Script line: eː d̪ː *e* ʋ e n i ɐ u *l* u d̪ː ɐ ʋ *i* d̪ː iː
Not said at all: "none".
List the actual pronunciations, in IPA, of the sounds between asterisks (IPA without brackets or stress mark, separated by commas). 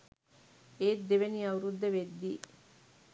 e, ɾ, e